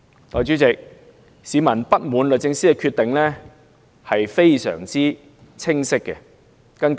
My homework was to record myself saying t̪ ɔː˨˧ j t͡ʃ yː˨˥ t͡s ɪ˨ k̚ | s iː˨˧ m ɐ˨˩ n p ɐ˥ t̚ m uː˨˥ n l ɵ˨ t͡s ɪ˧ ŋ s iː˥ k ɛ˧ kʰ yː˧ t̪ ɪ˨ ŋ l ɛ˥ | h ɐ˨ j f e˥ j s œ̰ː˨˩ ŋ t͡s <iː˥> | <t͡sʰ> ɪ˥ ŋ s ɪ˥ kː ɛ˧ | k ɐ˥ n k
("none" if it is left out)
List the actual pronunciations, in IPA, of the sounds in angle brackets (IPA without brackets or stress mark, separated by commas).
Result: iː˥, t͡sʰ